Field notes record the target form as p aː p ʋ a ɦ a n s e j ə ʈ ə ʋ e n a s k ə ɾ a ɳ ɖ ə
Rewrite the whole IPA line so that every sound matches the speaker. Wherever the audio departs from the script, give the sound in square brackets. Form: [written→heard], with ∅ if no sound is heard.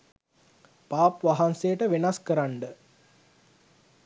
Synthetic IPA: p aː p ʋ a ɦ a n s e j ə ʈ ə ʋ e n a s k ə ɾ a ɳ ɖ ə